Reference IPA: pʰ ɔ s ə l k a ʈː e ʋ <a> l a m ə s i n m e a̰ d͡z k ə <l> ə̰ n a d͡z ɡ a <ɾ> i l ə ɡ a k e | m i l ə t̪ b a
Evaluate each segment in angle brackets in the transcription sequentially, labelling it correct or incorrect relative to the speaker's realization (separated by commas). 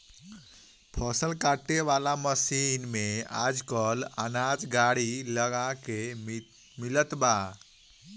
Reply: correct, correct, incorrect